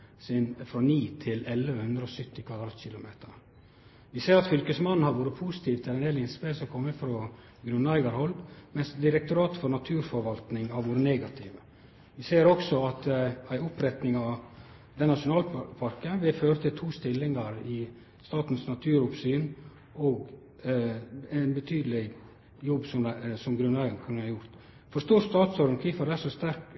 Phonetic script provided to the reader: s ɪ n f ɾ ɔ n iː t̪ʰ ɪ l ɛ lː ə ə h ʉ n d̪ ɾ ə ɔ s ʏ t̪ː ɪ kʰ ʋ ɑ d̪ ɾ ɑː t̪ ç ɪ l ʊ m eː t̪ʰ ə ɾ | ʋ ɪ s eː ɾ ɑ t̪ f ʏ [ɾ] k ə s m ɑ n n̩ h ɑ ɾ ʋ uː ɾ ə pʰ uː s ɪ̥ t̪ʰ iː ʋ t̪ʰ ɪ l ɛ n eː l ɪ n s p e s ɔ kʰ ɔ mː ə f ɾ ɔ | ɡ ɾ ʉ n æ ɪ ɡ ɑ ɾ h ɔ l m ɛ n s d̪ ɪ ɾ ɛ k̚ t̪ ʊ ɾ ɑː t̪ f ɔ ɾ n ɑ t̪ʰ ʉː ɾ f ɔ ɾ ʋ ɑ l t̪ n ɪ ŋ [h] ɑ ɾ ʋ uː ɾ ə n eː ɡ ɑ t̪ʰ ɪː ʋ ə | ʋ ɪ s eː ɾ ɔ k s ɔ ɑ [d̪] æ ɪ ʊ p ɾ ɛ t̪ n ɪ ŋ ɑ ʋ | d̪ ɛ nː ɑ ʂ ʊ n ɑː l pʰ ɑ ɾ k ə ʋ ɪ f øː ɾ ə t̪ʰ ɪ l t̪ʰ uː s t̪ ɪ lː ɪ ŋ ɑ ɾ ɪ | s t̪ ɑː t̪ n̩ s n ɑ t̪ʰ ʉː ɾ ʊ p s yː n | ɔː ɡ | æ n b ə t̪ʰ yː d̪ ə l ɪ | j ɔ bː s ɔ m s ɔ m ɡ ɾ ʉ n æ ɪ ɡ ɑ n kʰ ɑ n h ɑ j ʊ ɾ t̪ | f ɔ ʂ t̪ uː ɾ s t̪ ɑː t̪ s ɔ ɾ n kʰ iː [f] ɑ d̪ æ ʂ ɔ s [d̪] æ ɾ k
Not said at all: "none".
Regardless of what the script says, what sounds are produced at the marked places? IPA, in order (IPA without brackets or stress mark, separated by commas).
l, h, t̪, f, t̪